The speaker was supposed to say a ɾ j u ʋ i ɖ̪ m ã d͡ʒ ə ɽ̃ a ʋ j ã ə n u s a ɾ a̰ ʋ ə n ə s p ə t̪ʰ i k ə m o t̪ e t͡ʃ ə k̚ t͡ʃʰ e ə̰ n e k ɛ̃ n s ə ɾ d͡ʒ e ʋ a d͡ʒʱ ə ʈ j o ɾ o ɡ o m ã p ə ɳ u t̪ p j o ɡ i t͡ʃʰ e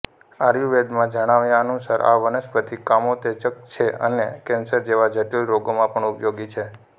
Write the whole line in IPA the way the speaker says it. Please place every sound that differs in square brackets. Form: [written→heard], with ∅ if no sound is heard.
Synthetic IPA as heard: a ɾ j u ʋ [i→e] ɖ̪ m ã d͡ʒ ə ɽ̃ a ʋ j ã ə n u s a ɾ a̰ ʋ ə n ə s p ə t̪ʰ i k [ə→a] m o t̪ e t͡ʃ ə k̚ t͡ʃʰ e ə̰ n e k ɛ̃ n s ə ɾ d͡ʒ e ʋ a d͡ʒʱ ə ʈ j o ɾ o ɡ o m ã p ə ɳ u [t̪→∅] p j o ɡ i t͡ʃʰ e